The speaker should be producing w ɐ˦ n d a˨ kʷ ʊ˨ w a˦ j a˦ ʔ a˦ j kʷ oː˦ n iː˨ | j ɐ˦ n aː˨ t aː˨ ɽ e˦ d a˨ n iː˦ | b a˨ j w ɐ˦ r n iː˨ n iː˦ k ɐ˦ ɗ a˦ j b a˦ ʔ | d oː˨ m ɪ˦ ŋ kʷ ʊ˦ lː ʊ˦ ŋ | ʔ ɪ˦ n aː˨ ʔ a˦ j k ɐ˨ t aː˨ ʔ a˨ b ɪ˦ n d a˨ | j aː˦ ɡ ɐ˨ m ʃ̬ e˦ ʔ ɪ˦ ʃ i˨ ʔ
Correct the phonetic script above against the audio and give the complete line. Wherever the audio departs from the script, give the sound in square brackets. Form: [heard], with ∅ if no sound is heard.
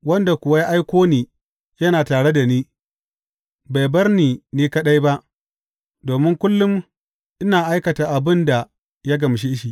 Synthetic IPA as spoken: w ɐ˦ n d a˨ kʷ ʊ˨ w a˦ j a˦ ʔ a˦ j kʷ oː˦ n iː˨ | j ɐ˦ n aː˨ t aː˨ ɽ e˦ d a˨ n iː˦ | b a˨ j [b] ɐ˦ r n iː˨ n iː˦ k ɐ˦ ɗ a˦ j b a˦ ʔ | d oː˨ m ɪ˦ ŋ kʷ ʊ˦ lː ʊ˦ [m] | ʔ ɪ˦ n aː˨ ʔ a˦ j k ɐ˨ t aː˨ ʔ a˨ b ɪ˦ n d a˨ | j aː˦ ɡ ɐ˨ m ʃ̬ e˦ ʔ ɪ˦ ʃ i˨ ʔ